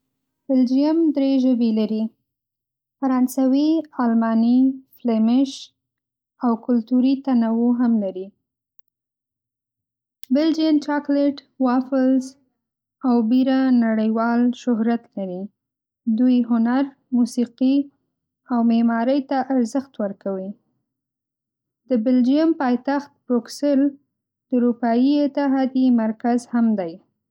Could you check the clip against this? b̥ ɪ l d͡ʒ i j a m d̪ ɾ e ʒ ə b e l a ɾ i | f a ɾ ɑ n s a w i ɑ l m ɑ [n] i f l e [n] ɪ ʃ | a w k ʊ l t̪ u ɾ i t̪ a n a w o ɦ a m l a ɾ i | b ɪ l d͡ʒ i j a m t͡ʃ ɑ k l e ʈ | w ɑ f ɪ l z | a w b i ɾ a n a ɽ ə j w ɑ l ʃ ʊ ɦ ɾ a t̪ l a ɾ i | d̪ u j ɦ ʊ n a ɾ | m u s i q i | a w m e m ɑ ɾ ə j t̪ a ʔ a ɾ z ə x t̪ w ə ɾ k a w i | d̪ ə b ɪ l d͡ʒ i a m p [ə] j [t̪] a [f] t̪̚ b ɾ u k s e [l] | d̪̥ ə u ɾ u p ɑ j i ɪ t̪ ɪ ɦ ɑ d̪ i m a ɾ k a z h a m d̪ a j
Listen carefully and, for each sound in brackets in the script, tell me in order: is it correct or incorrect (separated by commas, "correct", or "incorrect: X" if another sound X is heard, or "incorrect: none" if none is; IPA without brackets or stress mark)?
correct, incorrect: m, incorrect: ɑ, correct, incorrect: x, correct